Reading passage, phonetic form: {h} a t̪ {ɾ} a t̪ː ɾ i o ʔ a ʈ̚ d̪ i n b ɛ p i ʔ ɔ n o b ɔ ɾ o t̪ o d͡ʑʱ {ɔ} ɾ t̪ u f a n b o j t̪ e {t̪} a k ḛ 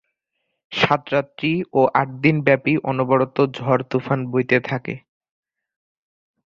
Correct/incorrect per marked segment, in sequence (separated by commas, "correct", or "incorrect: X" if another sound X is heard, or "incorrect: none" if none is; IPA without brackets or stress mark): incorrect: ʃ, correct, correct, incorrect: t̪ʰ